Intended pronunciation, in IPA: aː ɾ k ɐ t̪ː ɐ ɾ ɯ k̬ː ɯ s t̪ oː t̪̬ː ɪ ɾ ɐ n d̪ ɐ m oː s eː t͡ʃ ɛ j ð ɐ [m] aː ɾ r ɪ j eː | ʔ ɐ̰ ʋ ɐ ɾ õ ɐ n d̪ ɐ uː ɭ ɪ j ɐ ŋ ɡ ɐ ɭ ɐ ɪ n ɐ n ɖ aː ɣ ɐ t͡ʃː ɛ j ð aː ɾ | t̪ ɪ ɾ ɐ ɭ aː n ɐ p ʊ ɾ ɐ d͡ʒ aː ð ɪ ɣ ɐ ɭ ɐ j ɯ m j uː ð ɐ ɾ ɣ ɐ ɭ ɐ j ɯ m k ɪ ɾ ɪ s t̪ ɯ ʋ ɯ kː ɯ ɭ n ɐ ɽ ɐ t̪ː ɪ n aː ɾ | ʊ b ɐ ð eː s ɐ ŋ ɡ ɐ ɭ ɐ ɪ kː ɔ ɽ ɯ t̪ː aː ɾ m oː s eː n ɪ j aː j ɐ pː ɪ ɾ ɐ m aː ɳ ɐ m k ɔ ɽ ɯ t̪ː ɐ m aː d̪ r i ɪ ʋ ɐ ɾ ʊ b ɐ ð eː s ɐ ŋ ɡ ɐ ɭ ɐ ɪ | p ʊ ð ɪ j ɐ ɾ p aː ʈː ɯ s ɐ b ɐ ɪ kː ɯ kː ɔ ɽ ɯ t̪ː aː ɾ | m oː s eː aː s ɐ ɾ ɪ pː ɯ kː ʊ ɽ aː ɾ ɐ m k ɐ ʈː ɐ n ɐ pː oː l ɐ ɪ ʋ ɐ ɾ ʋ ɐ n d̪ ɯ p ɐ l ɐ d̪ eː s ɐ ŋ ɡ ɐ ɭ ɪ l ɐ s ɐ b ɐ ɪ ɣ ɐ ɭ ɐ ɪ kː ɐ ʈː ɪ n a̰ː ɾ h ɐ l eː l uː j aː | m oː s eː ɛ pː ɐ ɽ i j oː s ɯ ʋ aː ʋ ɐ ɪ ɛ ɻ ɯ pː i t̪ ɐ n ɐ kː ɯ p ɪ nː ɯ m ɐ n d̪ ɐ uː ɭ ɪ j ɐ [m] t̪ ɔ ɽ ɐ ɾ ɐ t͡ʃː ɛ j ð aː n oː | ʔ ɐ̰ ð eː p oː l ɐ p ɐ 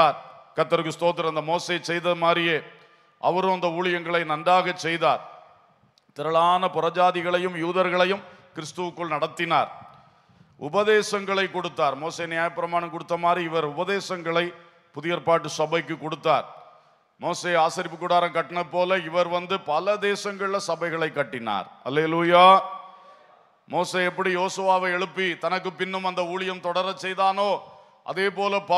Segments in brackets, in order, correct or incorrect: correct, correct

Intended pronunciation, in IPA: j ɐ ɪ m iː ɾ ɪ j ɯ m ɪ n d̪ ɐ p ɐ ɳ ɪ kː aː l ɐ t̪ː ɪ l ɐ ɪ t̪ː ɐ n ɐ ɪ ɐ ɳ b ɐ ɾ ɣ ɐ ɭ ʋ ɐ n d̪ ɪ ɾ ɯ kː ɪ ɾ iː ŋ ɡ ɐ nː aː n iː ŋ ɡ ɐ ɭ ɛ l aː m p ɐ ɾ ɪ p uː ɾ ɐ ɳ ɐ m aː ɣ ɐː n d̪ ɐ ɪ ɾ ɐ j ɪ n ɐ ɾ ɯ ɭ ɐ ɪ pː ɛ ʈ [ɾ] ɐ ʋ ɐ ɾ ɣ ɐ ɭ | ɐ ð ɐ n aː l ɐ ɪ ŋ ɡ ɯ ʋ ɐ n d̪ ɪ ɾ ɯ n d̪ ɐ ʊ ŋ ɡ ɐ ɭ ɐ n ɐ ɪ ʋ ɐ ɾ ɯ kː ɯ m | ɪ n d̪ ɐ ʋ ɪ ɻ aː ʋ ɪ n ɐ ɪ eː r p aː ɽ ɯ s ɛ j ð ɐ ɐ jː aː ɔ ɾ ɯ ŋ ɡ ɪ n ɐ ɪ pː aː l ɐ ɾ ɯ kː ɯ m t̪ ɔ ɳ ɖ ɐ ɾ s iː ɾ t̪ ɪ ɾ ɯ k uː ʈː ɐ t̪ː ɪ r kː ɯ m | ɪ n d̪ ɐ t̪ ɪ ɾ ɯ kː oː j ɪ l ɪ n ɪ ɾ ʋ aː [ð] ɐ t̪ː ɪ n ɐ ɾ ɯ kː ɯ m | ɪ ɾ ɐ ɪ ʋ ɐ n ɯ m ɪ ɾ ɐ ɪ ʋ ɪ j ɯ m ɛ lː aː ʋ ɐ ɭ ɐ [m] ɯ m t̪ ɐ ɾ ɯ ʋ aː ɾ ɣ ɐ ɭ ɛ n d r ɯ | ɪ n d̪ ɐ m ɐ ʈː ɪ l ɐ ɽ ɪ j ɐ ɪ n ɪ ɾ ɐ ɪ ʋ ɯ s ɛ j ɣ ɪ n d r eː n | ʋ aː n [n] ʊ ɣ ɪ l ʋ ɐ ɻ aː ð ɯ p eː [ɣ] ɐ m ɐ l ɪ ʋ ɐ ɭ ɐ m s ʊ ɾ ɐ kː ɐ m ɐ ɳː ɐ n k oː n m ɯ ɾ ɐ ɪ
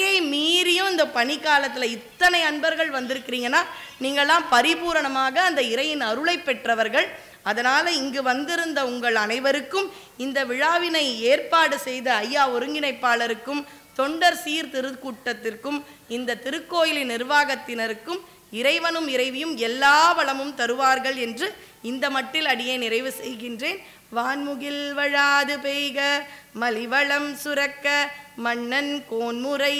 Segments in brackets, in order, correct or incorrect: incorrect: r, incorrect: ɣ, correct, incorrect: m, correct

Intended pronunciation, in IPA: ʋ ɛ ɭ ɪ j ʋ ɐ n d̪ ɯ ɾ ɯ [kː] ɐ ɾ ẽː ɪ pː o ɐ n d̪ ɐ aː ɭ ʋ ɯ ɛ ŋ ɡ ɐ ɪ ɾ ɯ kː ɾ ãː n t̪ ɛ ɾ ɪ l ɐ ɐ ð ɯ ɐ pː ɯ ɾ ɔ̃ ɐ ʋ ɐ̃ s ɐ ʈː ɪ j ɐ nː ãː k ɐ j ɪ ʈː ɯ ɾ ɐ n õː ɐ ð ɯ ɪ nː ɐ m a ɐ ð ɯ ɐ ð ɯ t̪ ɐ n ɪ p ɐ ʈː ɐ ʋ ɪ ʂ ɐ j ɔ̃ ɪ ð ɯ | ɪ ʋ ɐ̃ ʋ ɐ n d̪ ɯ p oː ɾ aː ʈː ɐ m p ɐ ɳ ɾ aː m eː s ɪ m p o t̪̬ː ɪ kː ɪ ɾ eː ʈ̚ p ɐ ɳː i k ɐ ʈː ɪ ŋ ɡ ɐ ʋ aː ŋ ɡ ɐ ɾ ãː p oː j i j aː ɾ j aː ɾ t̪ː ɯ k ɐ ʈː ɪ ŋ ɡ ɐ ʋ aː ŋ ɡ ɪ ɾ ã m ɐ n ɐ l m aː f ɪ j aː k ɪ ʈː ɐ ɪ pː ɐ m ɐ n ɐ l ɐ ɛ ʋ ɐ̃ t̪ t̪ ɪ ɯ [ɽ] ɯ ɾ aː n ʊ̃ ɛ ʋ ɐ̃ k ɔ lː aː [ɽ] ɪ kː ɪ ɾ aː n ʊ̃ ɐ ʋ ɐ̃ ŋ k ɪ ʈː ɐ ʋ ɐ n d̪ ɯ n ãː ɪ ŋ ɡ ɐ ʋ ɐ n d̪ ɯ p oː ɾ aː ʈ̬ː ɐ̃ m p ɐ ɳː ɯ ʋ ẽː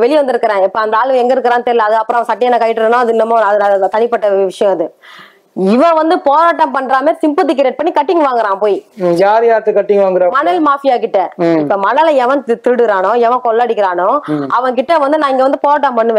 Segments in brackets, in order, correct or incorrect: correct, correct, correct

